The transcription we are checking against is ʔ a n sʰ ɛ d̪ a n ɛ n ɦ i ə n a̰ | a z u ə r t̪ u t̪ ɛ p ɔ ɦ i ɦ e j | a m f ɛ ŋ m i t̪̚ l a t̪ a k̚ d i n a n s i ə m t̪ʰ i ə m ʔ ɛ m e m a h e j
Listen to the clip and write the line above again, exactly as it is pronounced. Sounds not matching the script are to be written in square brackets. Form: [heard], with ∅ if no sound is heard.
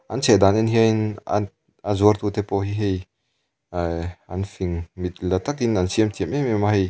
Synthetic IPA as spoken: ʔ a n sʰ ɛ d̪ a n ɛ n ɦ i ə n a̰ | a z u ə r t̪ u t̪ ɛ p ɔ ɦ i ɦ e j | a [n] f [i] ŋ m i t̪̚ l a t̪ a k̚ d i n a n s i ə m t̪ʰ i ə m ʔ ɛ m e m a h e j